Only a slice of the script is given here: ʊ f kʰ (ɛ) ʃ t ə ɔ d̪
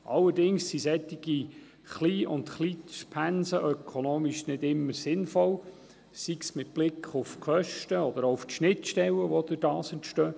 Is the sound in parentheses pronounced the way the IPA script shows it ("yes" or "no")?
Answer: no